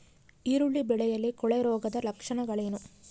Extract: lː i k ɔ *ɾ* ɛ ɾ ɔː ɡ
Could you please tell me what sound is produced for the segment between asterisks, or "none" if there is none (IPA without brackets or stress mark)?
ɭ